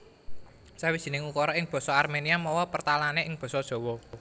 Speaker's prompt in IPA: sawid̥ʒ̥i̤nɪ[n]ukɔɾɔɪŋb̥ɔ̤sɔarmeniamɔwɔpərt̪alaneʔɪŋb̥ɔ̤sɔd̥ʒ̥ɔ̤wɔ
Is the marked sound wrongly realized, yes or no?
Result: yes